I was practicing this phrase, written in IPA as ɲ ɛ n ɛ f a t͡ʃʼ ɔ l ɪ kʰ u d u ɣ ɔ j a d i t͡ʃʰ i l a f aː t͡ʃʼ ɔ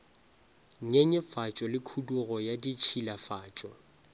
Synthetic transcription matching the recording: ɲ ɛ ɲ ɛ f a t͡ʃʼ ɔ l ɪ kʰ u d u ɣ ɔ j a d i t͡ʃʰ i l a f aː t͡ʃʼ ɔ